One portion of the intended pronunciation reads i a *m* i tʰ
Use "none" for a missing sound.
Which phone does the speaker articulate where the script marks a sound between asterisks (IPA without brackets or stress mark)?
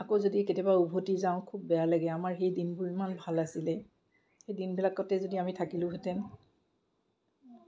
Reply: m